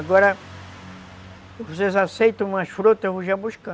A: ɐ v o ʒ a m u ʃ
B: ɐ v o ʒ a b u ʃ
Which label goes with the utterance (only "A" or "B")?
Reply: B